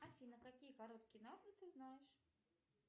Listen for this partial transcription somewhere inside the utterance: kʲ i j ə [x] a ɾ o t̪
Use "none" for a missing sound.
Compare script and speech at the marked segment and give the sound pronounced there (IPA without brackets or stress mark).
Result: k